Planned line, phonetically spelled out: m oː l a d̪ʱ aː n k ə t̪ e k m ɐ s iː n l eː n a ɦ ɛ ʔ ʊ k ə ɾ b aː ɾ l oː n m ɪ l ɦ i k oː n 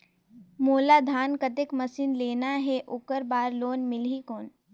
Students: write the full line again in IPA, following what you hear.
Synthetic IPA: m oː l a d̪ʱ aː n k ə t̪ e k m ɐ s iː n l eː n a ɦ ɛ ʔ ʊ k ə ɾ b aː ɾ l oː n m ɪ l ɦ i k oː n

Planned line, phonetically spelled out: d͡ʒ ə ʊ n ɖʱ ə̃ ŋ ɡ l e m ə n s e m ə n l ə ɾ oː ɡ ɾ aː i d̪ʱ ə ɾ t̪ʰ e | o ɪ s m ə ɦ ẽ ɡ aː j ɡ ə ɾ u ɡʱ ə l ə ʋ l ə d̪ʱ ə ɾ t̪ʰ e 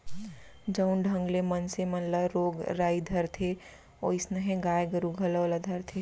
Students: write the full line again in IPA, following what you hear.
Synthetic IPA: d͡ʒ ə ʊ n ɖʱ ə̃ ŋ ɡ l e m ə n s e m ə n l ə ɾ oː ɡ ɾ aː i d̪ʱ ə ɾ t̪ʰ e | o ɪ s n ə ɦ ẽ ɡ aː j ɡ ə ɾ u ɡʱ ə l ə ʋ l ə d̪ʱ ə ɾ t̪ʰ e

